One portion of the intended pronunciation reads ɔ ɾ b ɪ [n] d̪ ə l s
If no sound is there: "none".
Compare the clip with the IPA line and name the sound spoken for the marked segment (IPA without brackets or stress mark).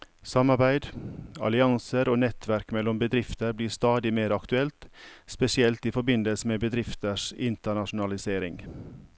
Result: n